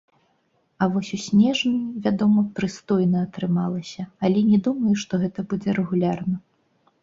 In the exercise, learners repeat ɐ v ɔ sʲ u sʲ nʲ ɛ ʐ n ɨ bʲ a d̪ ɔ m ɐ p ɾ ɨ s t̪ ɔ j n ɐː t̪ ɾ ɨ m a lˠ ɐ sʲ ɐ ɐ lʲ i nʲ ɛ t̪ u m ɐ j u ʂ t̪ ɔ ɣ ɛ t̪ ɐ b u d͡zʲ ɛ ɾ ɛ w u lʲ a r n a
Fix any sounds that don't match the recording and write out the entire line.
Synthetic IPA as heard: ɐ v ɔ sʲ u sʲ nʲ ɛ ʐ n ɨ vʲ a d̪ ɔ m ɐ p ɾ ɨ s t̪ ɔ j n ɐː t̪ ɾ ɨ m a lˠ ɐ sʲ ɐ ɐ lʲ ɛ nʲ ɛ d̪ u m ɐ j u ʂ t̪ ɔ ɣ ɛ t̪ ɐ b u d͡zʲ ɛ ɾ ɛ ɣ u lʲ a r n ɐ